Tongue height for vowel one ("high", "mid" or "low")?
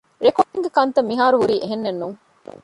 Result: mid